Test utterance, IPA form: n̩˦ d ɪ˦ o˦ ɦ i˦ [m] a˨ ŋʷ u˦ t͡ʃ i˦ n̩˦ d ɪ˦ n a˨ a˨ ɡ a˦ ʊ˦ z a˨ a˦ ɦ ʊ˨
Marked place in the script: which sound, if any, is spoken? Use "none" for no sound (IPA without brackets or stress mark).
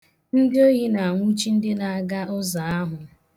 n